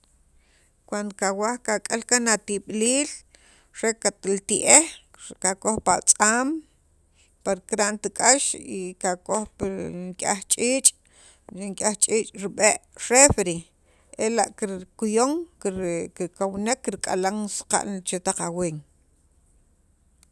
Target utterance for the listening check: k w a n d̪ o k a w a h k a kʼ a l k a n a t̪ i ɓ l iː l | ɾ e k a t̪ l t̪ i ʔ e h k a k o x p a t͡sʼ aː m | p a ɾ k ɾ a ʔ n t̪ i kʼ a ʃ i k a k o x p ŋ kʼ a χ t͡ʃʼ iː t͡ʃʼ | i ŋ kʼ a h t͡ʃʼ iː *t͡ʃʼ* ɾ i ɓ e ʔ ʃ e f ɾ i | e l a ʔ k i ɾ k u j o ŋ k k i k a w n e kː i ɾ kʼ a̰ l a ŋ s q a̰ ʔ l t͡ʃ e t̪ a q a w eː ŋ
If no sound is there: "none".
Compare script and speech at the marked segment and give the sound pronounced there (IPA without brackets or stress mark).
t͡ʃʼ